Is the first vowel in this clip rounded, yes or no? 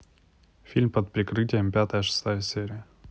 no